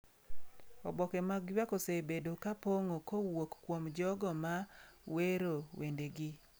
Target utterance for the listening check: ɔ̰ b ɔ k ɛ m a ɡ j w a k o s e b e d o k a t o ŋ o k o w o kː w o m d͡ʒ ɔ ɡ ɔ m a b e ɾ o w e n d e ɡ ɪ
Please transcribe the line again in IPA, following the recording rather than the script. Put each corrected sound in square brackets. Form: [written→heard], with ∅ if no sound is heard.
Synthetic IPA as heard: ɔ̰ b ɔ k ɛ m a ɡ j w a k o s e b e d o k a [t→p] o ŋ o k o w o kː w o m d͡ʒ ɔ ɡ ɔ m a [b→w] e ɾ o w e n d e ɡ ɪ